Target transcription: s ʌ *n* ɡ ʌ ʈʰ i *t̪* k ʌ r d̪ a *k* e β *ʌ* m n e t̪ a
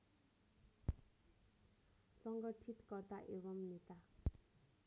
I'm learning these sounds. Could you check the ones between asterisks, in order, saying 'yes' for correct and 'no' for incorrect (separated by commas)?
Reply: no, yes, no, yes